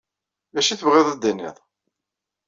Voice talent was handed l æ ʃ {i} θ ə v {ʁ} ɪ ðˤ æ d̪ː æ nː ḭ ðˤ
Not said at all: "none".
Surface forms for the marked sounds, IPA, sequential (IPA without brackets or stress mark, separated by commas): i, ʁ